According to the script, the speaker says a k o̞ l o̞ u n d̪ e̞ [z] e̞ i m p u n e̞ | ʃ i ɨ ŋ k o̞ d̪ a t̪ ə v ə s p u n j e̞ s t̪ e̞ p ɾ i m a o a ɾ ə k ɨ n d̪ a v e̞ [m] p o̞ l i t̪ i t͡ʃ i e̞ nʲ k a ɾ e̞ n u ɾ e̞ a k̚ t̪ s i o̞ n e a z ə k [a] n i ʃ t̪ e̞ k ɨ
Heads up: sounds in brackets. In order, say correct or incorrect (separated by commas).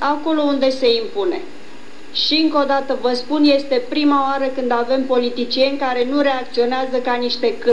incorrect, correct, correct